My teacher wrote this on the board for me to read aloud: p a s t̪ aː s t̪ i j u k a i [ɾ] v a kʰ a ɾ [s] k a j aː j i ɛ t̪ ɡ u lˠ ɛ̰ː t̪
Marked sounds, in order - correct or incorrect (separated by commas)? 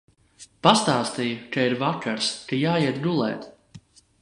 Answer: correct, correct